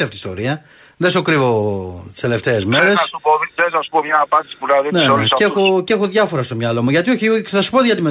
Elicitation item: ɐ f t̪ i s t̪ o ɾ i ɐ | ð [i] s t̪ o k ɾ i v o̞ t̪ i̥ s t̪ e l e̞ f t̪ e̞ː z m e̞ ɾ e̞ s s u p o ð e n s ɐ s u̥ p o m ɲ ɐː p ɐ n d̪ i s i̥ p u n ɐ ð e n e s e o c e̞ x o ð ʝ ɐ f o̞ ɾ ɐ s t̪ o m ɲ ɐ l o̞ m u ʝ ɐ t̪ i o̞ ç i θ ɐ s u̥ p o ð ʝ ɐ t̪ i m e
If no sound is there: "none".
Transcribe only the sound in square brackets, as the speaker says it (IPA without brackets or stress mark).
e